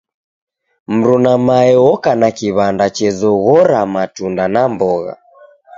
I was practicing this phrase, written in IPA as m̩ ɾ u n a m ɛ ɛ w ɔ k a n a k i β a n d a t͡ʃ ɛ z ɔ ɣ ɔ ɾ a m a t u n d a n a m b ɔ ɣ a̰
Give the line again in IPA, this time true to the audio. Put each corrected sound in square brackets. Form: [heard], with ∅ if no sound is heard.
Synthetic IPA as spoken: m̩ ɾ u n a m [a] ɛ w ɔ k a n a k i β a n d a t͡ʃ ɛ z ɔ ɣ ɔ ɾ a m a t u n d a n a m b ɔ ɣ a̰

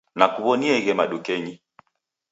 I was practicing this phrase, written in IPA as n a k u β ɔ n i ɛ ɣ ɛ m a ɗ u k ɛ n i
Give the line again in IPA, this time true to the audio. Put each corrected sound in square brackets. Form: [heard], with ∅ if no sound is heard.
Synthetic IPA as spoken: n a k u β ɔ n i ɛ ɣ ɛ m a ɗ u k ɛ [ɲ] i

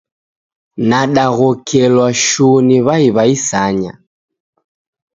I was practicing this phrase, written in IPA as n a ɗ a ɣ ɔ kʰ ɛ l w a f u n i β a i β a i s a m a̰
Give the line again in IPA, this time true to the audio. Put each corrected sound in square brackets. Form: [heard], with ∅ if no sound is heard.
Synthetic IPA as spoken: n a ɗ a ɣ ɔ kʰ ɛ l w a [ʃ] u n i β a i β a i s a [ɲ] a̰

